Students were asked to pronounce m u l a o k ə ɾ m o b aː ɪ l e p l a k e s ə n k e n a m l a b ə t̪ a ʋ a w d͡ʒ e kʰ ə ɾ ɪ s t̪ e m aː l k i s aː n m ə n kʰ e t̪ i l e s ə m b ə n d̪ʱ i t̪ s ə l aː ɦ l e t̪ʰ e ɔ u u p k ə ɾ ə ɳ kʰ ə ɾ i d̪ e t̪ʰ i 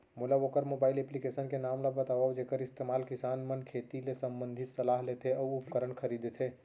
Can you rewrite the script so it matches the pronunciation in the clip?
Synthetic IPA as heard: m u l a o k ə ɾ m o b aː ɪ l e p l i k e s ə n k e n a m l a b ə t̪ a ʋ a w d͡ʒ e k ə ɾ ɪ s t̪ e m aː l k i s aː n m ə n kʰ e t̪ i l e s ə m b ə n d̪ʱ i t̪ s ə l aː ɦ l e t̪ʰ e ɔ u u p k ə ɾ ə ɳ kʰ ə ɾ i d̪ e t̪ʰ e